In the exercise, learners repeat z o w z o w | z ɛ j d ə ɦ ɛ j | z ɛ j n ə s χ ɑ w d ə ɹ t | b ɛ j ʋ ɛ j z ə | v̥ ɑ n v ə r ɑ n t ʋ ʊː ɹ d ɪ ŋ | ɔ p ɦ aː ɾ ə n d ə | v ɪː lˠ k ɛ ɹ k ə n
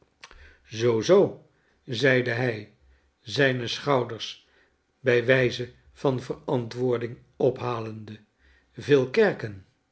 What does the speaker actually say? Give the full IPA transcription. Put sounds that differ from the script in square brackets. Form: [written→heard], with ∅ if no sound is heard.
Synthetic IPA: z o w z o w | z ɛ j d ə ɦ ɛ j | z ɛ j n ə s χ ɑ w d ə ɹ [t→s] | b ɛ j ʋ ɛ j z ə | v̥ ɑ n v ə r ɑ n t ʋ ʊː ɹ d ɪ ŋ | ɔ p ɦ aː [ɾ→l] ə n d ə | v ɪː lˠ k ɛ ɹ k ə n

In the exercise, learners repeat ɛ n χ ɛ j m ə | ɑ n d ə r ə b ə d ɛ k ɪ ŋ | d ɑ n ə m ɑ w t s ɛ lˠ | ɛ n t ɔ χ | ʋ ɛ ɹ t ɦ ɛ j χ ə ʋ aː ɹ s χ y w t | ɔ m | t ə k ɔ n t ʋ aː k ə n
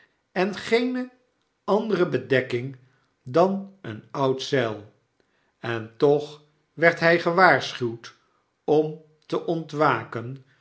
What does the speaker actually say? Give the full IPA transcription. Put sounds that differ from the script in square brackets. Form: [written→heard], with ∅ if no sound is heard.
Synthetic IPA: ɛ n χ [ɛ→e] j [m→n] ə | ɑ n d ə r ə b ə d ɛ k ɪ ŋ | d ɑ n ə [m→n] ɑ w t s ɛ lˠ | ɛ n t ɔ χ | ʋ ɛ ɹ t ɦ ɛ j χ ə ʋ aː ɹ s χ y w t | ɔ m | t ə [k→ʔ] ɔ n t ʋ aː k ə n

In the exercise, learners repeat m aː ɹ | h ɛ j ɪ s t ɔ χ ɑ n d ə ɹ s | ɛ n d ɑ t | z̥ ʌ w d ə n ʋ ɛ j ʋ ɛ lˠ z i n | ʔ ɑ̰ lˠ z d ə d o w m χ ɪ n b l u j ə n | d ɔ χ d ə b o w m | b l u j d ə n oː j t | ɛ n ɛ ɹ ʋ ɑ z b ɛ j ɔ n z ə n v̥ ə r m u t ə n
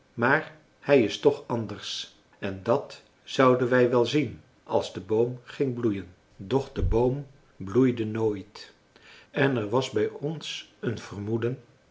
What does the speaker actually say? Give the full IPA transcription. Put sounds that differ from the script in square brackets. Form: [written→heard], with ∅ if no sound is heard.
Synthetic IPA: m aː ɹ | h ɛ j ɪ s t ɔ χ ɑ n d ə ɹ s | ɛ n d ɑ t | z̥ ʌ w d ə n ʋ ɛ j ʋ ɛ lˠ z i n | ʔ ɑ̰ lˠ z d ə [d→b] o w m χ ɪ [n→ŋ] b l u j ə n | d ɔ χ d ə b o w m | b l u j d ə n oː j t | ɛ n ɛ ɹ ʋ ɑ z b ɛ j ɔ n [z→s] ə n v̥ ə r m u [t→d] ə n

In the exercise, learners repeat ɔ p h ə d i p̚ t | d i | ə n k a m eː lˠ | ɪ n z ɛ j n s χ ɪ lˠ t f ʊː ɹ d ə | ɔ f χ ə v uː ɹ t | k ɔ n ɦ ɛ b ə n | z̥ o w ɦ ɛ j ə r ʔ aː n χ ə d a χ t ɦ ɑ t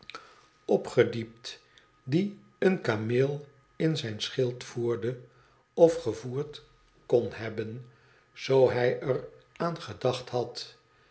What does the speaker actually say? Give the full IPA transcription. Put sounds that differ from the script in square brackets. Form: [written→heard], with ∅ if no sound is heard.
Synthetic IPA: ɔ p [h→χ] ə d i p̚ t | d i | ə n k a m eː lˠ | ɪ n z ɛ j n s χ ɪ lˠ t f [ʊː→uː] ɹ d ə | ɔ f χ ə v uː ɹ t | k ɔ n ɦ ɛ b ə n | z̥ o w ɦ ɛ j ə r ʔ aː n χ ə d [a→ɑ] χ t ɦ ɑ t

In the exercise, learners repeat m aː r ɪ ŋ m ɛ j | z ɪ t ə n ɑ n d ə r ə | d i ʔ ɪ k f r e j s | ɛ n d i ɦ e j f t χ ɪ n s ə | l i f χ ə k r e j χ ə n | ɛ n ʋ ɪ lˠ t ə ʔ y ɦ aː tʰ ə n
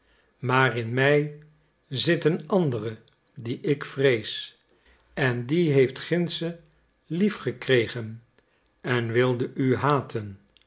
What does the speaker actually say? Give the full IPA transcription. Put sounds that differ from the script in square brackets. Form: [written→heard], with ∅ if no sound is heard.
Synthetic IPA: m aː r ɪ [ŋ→n] m ɛ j | z ɪ t ə n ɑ n d ə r ə | d i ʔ ɪ k f r e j s | ɛ n d i ɦ e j f t χ ɪ n s ə | l i f χ ə k r e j χ ə n | ɛ n ʋ ɪ lˠ [t→d] ə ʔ y ɦ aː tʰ ə n

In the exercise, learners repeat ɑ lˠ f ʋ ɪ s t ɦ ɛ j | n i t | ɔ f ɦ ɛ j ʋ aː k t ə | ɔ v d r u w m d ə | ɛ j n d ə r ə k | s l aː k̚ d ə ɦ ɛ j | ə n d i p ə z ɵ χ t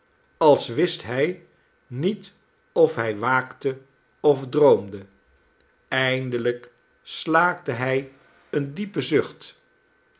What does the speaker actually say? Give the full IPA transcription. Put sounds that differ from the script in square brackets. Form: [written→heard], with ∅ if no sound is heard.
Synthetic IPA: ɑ lˠ [f→s] ʋ ɪ s t ɦ ɛ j | n i t | ɔ f ɦ ɛ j ʋ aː k t ə | ɔ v d r [u→o] w m d ə | ɛ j n d ə [r→l] ə k | s l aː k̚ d ə ɦ ɛ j | ə n d i p ə z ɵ χ t

